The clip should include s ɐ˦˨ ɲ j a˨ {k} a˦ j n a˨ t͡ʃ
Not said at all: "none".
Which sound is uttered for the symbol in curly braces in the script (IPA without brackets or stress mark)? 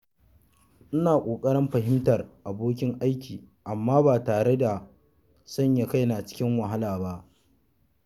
k